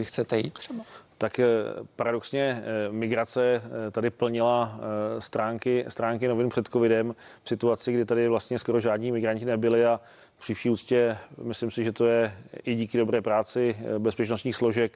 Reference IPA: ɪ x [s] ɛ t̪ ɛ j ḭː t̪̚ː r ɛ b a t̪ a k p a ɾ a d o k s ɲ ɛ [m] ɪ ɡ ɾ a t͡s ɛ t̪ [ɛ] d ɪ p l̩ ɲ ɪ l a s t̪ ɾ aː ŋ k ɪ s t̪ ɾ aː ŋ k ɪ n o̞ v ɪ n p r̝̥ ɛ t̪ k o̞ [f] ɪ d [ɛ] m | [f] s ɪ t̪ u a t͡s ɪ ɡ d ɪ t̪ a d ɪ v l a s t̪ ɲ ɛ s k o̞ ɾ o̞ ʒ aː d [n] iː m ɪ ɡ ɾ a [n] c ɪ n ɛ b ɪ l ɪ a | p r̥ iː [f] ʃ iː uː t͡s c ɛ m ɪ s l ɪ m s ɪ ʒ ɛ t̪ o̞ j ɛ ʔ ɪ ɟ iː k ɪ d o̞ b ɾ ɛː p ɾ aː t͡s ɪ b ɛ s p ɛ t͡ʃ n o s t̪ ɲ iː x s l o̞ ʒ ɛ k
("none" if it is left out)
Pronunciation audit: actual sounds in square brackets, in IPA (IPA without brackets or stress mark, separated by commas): t͡s, m, a, v, ɛ, f, ɲ, ɲ, f